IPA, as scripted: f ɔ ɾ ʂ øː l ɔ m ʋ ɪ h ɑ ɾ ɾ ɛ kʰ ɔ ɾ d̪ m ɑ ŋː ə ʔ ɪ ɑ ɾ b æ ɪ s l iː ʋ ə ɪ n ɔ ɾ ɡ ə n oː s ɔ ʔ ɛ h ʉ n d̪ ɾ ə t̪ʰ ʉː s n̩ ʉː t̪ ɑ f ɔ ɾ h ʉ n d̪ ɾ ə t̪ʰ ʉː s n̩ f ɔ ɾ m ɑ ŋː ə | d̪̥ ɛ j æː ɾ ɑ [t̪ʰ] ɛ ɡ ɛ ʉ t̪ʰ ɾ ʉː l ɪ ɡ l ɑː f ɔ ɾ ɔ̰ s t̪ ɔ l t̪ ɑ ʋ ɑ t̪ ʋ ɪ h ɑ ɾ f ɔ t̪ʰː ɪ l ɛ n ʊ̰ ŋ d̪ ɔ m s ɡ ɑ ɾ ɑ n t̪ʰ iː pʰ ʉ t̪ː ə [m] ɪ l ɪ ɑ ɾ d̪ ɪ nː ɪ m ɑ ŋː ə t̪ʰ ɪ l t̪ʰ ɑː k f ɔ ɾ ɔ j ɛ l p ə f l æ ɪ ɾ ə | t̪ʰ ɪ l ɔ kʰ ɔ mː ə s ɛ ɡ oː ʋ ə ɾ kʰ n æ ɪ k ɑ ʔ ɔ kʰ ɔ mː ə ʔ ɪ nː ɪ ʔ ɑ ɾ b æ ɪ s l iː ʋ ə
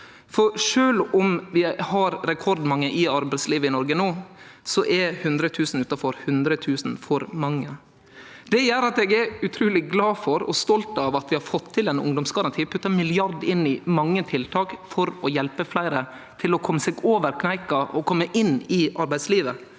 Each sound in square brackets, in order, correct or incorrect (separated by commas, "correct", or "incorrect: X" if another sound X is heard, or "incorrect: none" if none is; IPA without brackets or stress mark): incorrect: t̪, correct